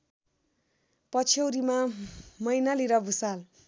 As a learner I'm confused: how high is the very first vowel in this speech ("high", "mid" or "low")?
mid